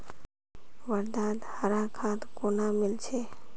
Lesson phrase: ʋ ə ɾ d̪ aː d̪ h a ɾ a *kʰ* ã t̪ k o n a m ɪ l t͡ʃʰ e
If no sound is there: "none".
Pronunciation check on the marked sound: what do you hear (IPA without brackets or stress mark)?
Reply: kʰ